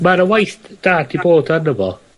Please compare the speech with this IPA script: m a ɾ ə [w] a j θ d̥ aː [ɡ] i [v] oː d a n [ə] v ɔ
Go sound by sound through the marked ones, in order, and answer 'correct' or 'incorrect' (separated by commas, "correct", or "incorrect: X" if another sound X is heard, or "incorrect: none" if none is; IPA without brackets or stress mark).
correct, incorrect: d, incorrect: b, correct